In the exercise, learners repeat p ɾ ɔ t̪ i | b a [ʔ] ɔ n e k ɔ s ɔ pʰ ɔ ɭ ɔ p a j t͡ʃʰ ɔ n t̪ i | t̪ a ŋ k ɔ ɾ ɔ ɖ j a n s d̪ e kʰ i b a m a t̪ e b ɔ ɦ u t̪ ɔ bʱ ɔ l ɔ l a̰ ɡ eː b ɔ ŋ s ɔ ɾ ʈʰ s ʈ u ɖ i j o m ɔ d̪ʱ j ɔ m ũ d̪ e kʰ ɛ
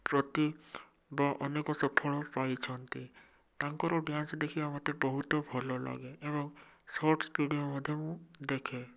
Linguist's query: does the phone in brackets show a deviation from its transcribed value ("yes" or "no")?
no